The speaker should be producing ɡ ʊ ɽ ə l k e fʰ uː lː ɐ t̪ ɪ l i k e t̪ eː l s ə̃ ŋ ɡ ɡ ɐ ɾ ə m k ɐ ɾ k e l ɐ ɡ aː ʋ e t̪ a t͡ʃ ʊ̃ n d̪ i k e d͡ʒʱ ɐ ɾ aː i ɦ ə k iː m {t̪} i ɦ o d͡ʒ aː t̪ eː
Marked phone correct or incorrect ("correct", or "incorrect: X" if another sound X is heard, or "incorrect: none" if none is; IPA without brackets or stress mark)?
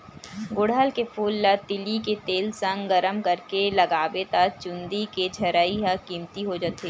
correct